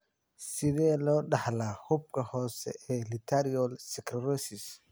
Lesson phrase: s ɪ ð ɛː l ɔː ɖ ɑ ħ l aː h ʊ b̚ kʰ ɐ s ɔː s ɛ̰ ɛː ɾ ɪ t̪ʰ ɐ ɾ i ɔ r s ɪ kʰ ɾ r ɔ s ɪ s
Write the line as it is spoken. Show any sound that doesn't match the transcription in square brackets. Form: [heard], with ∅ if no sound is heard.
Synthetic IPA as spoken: s ɪ ð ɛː l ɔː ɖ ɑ ħ l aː h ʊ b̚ kʰ ɐ [h] ɔː s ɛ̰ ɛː [l] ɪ t̪ʰ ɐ ɾ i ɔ [l] s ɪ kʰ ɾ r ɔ s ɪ s

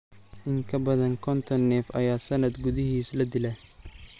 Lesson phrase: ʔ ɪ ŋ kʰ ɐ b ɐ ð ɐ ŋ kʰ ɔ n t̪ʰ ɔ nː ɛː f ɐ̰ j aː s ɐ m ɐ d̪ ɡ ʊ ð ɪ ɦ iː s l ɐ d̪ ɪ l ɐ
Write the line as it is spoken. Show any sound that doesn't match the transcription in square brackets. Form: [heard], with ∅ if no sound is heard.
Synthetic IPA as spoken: ʔ ɪ ŋ kʰ ɐ b ɐ ð ɐ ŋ kʰ ɔ n t̪ʰ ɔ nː ɛː f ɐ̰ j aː s ɐ [n] ɐ d̪ ɡ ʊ ð ɪ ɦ iː s l ɐ d̪ ɪ l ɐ

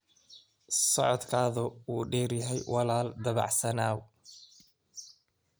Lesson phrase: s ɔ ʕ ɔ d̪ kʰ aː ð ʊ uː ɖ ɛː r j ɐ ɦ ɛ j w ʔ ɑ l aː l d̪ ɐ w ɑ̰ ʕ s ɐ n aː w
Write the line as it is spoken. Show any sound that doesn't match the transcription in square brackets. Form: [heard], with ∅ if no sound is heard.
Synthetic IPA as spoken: s ɔ ʕ ɔ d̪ kʰ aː ð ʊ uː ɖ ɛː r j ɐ ɦ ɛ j w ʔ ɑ l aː l d̪ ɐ [β] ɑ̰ ʕ s ɐ n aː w

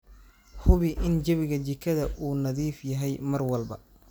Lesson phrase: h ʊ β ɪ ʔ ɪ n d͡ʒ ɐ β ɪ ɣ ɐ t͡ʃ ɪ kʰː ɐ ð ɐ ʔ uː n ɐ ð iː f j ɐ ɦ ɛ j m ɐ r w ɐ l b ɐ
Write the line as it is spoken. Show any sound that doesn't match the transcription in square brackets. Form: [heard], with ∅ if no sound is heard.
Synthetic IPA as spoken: h ʊ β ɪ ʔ ɪ n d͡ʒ ɐ β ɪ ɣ ɐ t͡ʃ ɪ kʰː ɐ ð ɐ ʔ uː n ɐ ð iː f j ɐ ɦ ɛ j m ɐ r w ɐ l b ɐ

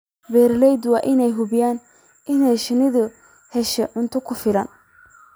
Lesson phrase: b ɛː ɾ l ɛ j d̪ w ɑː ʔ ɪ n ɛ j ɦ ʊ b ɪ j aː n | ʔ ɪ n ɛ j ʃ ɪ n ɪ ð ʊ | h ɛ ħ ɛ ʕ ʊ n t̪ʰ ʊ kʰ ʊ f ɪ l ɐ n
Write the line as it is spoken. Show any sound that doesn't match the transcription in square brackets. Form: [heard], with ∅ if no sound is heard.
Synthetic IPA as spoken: b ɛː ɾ l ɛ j d̪ w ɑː ʔ ɪ n ɛ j ɦ ʊ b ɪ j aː n | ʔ ɪ n ɛ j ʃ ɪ n ɪ ð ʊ | h ɛ [ʃ] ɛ ʕ ʊ n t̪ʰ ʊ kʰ ʊ f ɪ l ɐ n

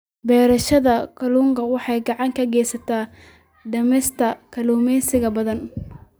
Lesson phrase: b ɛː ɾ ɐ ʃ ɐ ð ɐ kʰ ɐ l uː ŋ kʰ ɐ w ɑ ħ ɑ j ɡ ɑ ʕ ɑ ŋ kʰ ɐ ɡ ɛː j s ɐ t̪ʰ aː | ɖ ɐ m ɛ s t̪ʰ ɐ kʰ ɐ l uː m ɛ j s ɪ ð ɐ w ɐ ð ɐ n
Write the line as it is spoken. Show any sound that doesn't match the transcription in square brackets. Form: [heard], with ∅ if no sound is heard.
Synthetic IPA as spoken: b ɛː ɾ ɐ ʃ ɐ ð ɐ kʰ ɐ l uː ŋ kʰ ɐ w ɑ ħ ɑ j ɡ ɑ ʕ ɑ ŋ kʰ ɐ ɡ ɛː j s ɐ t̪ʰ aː | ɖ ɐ m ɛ s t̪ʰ ɐ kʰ ɐ l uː m ɛ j s ɪ [ɣ] ɐ [b] ɐ ð ɐ n

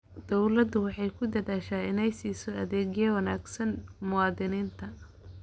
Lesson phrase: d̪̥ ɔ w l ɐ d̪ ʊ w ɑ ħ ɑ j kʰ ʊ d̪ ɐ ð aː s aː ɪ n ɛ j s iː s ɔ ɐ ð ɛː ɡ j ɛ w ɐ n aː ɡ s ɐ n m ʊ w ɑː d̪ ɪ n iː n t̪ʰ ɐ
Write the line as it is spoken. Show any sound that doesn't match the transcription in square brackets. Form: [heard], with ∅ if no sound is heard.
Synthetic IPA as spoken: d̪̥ ɔ w l ɐ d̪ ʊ w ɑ ħ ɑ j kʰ ʊ d̪ ɐ ð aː [ʃ] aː ɪ n ɛ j s iː s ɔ ɐ ð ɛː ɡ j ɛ w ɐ n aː ɡ s ɐ n m ʊ w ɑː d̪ ɪ n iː n t̪ʰ ɐ

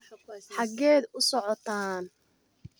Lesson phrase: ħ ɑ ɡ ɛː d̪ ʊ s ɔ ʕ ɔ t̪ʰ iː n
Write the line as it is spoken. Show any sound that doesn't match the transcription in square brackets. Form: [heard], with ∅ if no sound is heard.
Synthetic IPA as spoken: ħ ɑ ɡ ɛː d̪ ʊ s ɔ ʕ ɔ t̪ʰ [aː] n

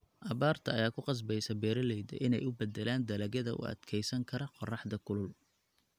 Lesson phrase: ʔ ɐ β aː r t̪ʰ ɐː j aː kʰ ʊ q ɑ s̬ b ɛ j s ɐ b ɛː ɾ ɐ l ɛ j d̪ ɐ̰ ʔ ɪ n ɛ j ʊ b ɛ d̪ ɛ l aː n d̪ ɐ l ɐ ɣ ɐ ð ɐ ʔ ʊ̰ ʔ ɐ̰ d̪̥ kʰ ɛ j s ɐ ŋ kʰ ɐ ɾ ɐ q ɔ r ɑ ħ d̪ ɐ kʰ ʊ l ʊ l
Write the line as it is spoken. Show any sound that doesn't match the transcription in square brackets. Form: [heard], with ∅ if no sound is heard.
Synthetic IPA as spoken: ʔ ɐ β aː r t̪ʰ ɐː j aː kʰ ʊ q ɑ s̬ b ɛ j s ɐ b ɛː ɾ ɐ l ɛ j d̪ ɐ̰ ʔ ɪ n ɛ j ʊ b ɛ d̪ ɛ l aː n d̪ ɐ l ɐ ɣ ɐ ð ɐ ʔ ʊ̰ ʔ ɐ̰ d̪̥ kʰ ɛ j s ɐ ŋ kʰ ɐ ɾ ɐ q ɔ r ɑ ħ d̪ ɐ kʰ ʊ l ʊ l

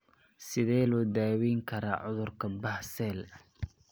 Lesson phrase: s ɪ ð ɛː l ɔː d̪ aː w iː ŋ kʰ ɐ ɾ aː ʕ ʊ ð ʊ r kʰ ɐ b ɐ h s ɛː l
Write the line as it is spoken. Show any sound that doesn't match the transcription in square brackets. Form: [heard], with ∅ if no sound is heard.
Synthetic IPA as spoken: s ɪ ð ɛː l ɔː d̪ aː w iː ŋ kʰ ɐ ɾ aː ʕ ʊ ð ʊ r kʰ ɐ b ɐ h s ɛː l

